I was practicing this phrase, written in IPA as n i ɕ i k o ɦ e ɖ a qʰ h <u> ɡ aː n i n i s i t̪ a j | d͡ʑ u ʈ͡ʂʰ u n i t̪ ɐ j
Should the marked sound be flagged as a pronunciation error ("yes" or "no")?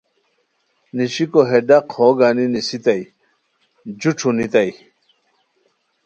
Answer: yes